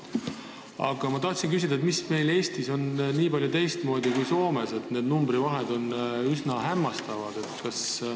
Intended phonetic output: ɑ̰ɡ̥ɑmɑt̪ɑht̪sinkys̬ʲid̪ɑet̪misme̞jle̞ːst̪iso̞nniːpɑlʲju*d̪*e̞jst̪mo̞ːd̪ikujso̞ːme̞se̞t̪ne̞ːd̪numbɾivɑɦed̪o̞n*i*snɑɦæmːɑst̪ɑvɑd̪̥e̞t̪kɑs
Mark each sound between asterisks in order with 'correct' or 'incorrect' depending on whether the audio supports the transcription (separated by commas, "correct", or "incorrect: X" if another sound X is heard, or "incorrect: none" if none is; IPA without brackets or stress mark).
incorrect: t̪, incorrect: y